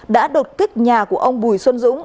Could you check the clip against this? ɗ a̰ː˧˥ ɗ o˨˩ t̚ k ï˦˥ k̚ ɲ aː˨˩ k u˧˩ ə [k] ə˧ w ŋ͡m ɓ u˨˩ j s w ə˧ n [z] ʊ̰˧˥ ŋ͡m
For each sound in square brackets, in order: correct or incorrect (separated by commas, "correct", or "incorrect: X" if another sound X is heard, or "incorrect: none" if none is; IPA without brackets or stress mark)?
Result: incorrect: ʔ, correct